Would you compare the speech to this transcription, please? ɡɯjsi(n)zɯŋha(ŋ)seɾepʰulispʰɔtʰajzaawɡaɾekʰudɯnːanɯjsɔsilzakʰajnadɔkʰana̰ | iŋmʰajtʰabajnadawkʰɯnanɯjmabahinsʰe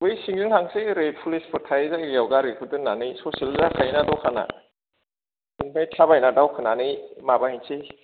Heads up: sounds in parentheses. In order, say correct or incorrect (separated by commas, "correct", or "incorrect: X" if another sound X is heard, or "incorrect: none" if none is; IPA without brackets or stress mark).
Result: incorrect: ŋ, correct